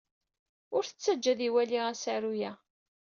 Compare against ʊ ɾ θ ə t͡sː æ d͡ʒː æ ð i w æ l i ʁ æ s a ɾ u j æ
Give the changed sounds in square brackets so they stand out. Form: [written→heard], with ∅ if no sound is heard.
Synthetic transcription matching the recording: ʊ ɾ θ ə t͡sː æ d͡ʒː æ ð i w æ l i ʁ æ s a ɾ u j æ